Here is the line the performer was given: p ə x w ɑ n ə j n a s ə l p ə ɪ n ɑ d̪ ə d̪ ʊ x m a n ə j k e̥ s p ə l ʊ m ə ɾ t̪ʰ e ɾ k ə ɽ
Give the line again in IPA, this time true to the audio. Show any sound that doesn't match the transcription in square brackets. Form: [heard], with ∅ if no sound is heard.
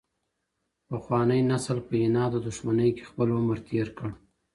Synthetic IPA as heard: p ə x w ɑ n ə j n a s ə l p ə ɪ n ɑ d̪ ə d̪ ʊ [ʃ] m a n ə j k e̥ [x] p ə l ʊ m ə ɾ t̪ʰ e ɾ k ə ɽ